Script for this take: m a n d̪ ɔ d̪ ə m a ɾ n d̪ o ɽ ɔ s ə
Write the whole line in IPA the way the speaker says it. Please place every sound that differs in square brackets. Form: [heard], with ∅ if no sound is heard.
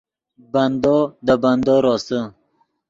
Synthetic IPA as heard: [b] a n d̪ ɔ d̪ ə [b] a [∅] n d̪ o [ɾ] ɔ s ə